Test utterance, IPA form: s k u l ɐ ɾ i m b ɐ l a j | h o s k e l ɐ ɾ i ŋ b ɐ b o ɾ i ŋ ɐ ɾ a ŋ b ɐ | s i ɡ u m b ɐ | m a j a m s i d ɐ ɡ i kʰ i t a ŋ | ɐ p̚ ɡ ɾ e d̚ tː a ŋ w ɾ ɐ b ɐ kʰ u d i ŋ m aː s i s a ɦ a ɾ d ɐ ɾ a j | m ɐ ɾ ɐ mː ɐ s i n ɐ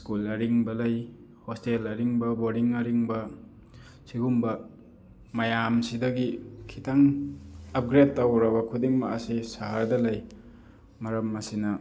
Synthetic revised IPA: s k u l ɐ ɾ i ŋ b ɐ l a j | h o s t e l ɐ ɾ i ŋ b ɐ b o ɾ i ŋ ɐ ɾ i ŋ b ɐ | s i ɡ u m b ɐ | m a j a m s i d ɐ ɡ i kʰ i t a ŋ | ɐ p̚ ɡ ɾ e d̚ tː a w ɾ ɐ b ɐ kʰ u d i ŋ m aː s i s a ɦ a ɾ d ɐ l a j | m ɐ ɾ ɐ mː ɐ s i n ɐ